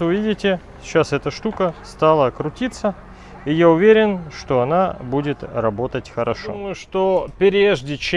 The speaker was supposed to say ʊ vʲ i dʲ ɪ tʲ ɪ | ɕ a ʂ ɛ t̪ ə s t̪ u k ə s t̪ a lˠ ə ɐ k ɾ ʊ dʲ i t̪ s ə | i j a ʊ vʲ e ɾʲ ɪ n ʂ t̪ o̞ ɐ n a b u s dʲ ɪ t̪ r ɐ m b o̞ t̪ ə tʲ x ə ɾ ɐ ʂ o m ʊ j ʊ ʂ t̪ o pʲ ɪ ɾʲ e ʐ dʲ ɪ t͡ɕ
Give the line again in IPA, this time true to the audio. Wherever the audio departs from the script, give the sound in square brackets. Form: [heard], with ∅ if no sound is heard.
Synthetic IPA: ʊ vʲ i dʲ ɪ tʲ ɪ | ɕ a [s] ɛ t̪ ə [ʂ] t̪ u k ə s t̪ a lˠ ə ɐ k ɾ ʊ [tʲ] i t̪ s ə | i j a ʊ vʲ e ɾʲ ɪ n ʂ t̪ o̞ ɐ n a b u [∅] dʲ ɪ t̪ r ɐ [∅] b o̞ t̪ ə tʲ x ə ɾ ɐ ʂ o m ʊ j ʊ ʂ t̪ o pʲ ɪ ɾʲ e ʐ dʲ ɪ t͡ɕ

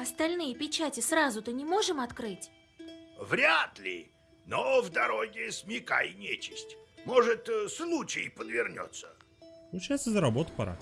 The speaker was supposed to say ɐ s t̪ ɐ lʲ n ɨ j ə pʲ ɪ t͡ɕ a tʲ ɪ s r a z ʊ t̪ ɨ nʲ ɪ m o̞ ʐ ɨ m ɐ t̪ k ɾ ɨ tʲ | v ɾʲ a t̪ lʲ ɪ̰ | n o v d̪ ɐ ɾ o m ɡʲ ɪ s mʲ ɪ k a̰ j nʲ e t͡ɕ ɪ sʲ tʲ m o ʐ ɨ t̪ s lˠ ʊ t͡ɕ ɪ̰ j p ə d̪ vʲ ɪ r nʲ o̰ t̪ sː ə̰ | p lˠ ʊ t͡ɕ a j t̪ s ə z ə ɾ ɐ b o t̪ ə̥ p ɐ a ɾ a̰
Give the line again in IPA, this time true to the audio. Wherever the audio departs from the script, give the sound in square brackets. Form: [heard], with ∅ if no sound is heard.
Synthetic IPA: ɐ s t̪ ɐ lʲ n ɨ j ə pʲ ɪ t͡ɕ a tʲ ɪ s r a z ʊ t̪ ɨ nʲ ɪ m o̞ ʐ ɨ m ɐ t̪ k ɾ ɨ tʲ | v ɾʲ a t̪ lʲ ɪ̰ | n o v d̪ ɐ ɾ o [∅] ɡʲ ɪ s mʲ ɪ k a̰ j nʲ e t͡ɕ ɪ sʲ tʲ m o ʐ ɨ t̪ s lˠ [u] t͡ɕ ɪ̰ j p ə d̪ vʲ ɪ r nʲ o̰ t̪ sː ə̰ | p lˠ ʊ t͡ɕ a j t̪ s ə z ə ɾ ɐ b o t̪ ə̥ p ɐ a ɾ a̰

